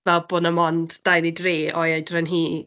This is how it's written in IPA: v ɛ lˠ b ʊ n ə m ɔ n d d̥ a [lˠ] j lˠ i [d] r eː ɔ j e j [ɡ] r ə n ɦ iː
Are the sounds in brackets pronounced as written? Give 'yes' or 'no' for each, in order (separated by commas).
no, yes, no